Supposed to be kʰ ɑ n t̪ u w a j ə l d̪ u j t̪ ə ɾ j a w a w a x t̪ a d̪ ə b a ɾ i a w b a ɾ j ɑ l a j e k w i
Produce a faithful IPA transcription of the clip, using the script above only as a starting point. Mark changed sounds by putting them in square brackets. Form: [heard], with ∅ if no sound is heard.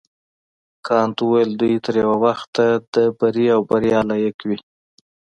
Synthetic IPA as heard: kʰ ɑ n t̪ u w a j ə l d̪ u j t̪ ə ɾ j a w a w a x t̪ a d̪ ə b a ɾ i a w b a ɾ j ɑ l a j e k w i

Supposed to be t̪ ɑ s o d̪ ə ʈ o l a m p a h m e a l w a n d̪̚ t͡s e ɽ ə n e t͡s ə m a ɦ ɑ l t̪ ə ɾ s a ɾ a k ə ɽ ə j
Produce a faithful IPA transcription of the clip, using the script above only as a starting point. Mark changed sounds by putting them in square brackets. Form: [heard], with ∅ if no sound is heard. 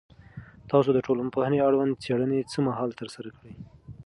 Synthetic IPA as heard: t̪ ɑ s o d̪ ə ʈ o l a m p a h [n] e a [ɽ] w a n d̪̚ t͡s e ɽ ə n e t͡s ə m a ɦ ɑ l t̪ ə ɾ s a ɾ a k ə ɽ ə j

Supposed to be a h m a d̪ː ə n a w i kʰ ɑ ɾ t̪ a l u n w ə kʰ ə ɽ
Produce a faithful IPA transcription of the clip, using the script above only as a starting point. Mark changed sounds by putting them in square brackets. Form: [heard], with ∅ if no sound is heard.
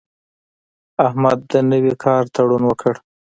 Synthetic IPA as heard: a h m a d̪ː ə n [ə] w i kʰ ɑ ɾ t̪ a [ɽ] u n w ə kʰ ə ɽ

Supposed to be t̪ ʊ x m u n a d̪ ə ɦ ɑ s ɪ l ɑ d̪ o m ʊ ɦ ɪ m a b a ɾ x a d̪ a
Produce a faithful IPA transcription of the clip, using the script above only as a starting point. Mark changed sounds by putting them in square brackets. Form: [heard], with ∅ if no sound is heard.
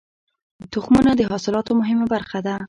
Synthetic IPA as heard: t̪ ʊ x m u n a d̪ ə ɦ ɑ s ɪ l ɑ [t̪] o m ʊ ɦ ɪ m a b a ɾ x a d̪ a

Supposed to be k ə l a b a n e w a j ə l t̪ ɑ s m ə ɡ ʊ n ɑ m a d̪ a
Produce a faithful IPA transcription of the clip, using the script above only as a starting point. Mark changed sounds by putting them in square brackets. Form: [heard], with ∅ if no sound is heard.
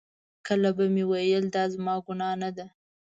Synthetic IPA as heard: k ə l a b a [m] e w a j ə l [d̪] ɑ [z] m [ɑ] ɡ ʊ n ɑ [n] a d̪ a

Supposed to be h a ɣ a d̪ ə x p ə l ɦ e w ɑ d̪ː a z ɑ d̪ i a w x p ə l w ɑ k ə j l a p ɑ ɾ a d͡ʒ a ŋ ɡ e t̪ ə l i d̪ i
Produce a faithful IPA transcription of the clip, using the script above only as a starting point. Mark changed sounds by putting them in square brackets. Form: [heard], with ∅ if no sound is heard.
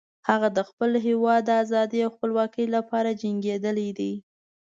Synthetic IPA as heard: h a ɣ a d̪ ə x p ə l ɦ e w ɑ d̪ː a z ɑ d̪ i a w x p ə l w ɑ k ə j l a p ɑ ɾ a d͡ʒ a ŋ ɡ e [d̪] ə l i d̪ i

